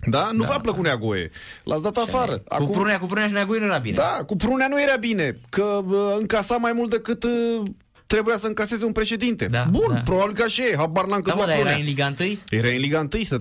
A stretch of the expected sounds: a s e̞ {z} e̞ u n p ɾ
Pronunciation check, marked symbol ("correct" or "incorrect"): correct